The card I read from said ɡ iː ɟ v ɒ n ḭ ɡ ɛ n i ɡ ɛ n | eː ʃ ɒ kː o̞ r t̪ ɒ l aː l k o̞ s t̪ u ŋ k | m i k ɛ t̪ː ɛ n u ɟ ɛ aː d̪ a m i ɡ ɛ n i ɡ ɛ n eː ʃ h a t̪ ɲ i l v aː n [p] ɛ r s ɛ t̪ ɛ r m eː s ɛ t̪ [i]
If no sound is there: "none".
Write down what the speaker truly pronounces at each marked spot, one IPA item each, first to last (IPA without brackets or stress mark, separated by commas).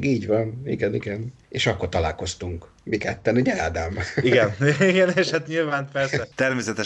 p, ɛ